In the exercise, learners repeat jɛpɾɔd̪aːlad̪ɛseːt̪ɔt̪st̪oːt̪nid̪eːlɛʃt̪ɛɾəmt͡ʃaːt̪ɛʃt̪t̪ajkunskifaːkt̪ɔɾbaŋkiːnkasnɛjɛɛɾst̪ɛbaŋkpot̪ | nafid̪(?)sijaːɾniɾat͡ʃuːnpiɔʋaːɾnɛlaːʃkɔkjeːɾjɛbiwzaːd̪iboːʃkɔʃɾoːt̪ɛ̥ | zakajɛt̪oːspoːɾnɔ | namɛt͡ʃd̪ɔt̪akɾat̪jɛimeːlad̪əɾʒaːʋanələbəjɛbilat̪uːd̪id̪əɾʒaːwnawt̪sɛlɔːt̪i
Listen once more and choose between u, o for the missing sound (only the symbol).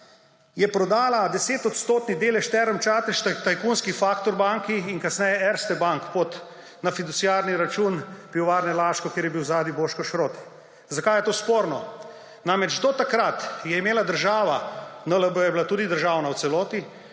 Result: u